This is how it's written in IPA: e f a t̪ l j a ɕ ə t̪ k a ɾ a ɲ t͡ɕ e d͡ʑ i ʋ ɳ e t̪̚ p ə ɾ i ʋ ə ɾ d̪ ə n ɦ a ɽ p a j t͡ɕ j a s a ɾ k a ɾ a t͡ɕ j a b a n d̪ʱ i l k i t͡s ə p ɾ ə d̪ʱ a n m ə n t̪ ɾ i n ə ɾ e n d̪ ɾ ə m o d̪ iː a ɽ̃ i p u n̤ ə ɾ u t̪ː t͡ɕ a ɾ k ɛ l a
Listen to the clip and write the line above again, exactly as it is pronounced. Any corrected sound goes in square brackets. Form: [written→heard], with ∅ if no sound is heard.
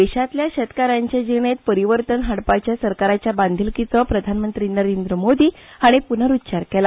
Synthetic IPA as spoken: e [f→ɕ] a t̪ l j a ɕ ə t̪ k a ɾ a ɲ t͡ɕ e d͡ʑ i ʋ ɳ e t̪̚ p ə ɾ i ʋ ə ɾ [d̪→t̪] ə n ɦ a ɽ p a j t͡ɕ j a s [a→ə] ɾ k a ɾ a t͡ɕ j a b a n d̪ʱ i l k i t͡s ə p ɾ ə d̪ʱ a n m ə n t̪ ɾ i n ə ɾ e n d̪ ɾ ə m o d̪ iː a ɽ̃ i p u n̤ ə ɾ u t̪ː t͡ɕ a ɾ k ɛ l a